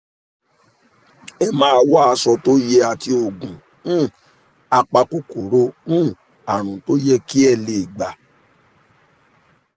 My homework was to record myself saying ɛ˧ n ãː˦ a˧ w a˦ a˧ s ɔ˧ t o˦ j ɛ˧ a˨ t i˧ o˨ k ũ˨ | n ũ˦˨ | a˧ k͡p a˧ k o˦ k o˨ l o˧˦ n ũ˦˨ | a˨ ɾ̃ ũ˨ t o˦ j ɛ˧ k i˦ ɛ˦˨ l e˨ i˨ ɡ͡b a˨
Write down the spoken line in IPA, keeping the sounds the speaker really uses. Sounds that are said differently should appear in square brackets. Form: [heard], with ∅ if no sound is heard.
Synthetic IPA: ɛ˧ [m] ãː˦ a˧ w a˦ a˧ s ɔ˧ t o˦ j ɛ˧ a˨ t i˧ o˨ [ɡ] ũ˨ | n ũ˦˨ | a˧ k͡p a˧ k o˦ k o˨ [ɾ] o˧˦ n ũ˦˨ | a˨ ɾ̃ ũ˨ t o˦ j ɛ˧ k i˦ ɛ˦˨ l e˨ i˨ ɡ͡b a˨

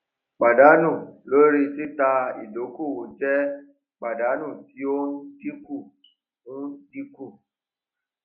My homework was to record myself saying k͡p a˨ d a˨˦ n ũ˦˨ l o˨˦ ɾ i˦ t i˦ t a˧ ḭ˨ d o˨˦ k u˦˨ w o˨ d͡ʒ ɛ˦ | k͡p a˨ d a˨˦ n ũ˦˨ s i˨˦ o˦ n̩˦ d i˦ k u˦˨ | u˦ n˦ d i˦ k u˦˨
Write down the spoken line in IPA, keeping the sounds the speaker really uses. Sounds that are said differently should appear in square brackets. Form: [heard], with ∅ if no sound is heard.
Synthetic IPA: k͡p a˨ d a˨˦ n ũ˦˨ l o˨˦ ɾ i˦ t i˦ t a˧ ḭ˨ d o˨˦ k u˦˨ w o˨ d͡ʒ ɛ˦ | k͡p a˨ d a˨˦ n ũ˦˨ [t] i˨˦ o˦ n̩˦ d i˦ k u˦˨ | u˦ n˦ d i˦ k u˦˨

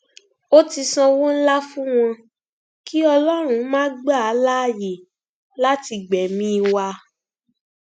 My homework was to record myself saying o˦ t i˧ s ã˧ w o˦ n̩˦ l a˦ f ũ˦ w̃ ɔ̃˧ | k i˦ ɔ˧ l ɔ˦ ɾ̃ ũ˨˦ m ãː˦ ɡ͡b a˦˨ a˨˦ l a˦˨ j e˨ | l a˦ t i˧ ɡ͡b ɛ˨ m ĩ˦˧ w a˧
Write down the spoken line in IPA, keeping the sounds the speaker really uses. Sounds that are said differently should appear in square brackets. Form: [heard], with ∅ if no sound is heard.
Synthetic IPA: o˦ t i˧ s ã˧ w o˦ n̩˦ l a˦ f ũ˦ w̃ ɔ̃˧ | k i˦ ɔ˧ l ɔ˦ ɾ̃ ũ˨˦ m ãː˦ ɡ͡b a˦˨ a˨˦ l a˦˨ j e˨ | l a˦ t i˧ ɡ͡b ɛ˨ m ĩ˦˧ w a˧

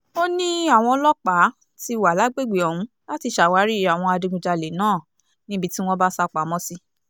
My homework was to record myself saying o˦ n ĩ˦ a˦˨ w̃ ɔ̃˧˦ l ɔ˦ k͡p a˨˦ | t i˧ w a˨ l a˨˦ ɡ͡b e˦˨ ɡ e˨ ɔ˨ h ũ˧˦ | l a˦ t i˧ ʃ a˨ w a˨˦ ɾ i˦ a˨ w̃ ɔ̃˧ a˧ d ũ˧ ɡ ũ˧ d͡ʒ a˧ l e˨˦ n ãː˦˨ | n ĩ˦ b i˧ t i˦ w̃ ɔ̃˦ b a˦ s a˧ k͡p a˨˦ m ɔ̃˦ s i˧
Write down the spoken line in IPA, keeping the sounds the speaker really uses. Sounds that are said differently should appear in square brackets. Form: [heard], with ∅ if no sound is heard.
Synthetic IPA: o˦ n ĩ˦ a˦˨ w̃ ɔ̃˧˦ l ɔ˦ k͡p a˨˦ | t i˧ w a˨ l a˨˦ ɡ͡b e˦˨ [ɡ͡b] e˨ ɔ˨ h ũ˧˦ | l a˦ t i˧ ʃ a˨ w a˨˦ ɾ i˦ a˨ w̃ ɔ̃˧ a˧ d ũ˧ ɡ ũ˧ d͡ʒ a˧ l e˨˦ n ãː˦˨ | n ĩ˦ b i˧ t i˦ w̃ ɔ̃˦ b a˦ s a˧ k͡p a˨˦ m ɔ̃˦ s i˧

